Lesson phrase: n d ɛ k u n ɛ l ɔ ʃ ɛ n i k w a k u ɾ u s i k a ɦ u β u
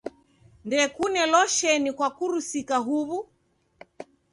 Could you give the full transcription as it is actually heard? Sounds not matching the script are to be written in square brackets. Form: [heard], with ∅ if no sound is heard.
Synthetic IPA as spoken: n d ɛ k u n ɛ l ɔ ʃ ɛ n i k w a k u ɾ u s i k a ɦ u β u